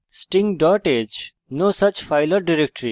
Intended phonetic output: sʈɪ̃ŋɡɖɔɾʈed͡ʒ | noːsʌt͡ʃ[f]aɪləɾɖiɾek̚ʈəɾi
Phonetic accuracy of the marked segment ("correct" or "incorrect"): correct